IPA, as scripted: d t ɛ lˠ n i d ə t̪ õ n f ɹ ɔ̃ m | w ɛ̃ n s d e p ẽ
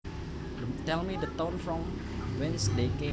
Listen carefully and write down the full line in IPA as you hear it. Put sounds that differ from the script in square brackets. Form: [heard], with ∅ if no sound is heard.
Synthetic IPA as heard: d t ɛ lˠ [m] i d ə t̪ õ n f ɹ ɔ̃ m | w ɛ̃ n s d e [k] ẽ